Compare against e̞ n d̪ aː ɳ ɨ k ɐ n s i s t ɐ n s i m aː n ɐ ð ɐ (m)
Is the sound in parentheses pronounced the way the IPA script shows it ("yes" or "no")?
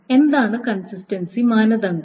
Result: no